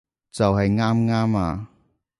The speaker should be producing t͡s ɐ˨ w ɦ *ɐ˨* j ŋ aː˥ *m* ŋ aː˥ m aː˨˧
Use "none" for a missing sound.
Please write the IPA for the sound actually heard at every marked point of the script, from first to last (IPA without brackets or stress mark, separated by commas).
ɐ˨, m